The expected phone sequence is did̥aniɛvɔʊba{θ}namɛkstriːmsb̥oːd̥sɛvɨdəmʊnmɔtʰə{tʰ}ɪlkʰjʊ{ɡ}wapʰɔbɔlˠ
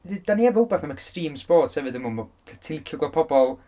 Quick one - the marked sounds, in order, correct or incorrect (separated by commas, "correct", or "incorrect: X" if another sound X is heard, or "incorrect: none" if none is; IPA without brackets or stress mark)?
correct, correct, correct